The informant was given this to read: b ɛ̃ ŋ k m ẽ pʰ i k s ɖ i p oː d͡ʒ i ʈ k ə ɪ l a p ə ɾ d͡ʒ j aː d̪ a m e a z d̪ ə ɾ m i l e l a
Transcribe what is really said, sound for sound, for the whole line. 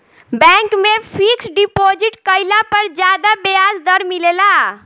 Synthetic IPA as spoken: b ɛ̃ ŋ k m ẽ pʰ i k s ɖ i p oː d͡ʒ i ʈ k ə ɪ l a p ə ɾ d͡ʒ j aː d̪ a b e a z d̪ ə ɾ m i l e l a

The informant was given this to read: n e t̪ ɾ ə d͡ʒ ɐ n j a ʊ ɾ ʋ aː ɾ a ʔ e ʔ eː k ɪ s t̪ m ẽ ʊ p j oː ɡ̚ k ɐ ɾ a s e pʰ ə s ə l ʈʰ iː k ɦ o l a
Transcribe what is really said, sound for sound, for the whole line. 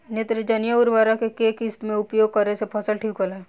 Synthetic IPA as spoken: n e t̪ ɾ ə d͡ʒ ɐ n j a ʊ ɾ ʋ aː ɾ a k e k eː k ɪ s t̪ m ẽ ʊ p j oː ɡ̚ k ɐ ɾ e s e pʰ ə s ə l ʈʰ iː k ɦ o l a

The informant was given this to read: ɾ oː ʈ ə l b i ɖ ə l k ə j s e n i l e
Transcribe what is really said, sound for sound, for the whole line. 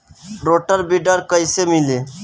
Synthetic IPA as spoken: ɾ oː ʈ ə ɾ b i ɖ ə ɾ k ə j s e m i l e

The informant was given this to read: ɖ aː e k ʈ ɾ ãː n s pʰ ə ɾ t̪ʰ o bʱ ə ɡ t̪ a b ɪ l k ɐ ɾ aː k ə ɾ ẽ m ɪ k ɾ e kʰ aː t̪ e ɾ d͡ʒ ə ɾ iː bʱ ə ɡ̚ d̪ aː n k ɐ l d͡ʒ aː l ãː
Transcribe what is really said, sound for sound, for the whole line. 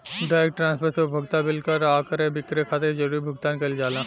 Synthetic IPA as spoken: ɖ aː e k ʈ ɾ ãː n s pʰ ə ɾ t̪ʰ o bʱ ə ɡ t̪ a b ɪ l k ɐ ɾ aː k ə ɾ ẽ b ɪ k ɾ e kʰ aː t̪ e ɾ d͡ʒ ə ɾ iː bʱ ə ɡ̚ t̪ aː n k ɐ l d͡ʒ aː l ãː

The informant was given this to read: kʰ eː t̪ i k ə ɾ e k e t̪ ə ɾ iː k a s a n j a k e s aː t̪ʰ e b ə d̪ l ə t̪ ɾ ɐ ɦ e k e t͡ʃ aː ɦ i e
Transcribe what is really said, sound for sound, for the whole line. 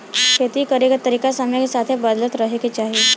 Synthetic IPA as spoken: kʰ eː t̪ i k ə ɾ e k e t̪ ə ɾ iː k a s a m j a k e s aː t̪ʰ e b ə d̪ l ə t̪ ɾ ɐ ɦ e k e t͡ʃ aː ɦ i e

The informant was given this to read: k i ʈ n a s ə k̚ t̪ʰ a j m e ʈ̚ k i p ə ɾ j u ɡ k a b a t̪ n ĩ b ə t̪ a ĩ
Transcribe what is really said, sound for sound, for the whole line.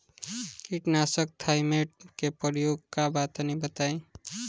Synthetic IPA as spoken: k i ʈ n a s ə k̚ t̪ʰ a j m e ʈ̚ k e p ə ɾ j o ɡ k a b a t̪ n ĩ b ə t̪ a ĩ

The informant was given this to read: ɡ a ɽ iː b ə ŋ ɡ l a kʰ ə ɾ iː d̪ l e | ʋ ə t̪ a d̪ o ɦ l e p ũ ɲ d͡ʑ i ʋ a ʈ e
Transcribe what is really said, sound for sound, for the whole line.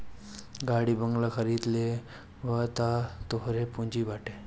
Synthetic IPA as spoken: ɡ a ɽ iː b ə ŋ ɡ l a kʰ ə ɾ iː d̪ l e | ʋ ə t̪ a t̪ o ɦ ɾ e p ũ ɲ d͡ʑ i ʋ a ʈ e

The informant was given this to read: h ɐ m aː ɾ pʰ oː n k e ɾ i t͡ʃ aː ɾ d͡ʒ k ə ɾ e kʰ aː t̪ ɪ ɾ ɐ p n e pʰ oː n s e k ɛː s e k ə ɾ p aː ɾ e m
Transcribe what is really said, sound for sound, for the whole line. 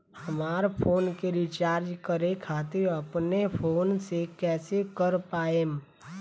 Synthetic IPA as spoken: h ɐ m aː ɾ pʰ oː n k e ɾ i t͡ʃ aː ɾ d͡ʒ k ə ɾ e kʰ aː t̪ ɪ ɾ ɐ p n e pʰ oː n s e k ɛː s e k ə ɾ p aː e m

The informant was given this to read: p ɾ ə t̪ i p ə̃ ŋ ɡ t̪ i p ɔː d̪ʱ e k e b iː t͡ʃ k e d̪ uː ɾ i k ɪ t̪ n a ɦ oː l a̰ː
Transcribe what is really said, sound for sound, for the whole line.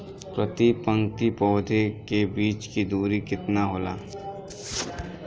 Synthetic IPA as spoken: p ɾ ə t̪ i p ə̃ ŋ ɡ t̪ i p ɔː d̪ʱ e k e b iː t͡ʃ k i d̪ uː ɾ i k ɪ t̪ n a ɦ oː l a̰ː

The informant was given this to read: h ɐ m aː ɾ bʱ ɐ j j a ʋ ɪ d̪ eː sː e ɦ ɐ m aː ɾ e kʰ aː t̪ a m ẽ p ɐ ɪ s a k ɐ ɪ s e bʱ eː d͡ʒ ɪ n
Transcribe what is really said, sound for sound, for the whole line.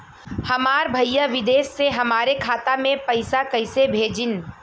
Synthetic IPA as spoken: h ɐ m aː ɾ bʱ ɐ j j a ʋ ɪ d̪ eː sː e ɦ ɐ m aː ɾ e kʰ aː t̪ a m ẽ p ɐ ɪ s a k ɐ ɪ s e bʱ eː d͡ʒ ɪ n

